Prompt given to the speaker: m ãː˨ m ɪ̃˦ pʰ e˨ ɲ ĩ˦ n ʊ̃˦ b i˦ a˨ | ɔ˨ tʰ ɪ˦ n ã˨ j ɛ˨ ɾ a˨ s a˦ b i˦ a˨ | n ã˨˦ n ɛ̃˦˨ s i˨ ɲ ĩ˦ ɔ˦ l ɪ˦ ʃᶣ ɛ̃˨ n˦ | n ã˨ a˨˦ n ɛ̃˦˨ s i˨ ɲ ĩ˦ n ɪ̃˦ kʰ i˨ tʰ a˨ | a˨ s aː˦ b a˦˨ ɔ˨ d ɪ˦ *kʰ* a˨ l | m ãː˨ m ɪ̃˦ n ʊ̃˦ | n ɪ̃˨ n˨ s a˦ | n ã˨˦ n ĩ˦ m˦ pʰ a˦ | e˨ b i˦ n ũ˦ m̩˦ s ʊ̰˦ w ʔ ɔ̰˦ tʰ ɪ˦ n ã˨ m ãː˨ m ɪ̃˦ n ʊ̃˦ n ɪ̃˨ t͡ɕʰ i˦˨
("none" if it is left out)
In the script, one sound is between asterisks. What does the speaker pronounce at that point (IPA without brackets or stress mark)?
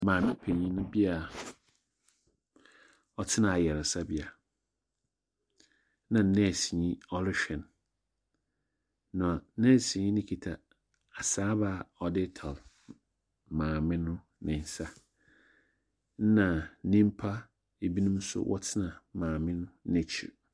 tʰ